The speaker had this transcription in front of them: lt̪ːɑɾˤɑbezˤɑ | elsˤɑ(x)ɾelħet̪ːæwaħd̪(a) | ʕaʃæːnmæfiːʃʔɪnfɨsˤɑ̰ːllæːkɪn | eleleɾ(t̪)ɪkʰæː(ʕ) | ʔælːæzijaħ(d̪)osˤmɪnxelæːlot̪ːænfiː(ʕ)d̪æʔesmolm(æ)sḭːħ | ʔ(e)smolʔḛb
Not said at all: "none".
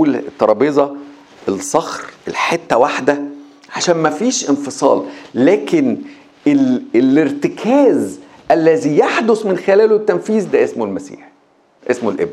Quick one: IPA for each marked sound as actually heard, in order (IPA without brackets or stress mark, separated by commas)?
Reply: x, æ, t̪, z, d̪, z, æ, e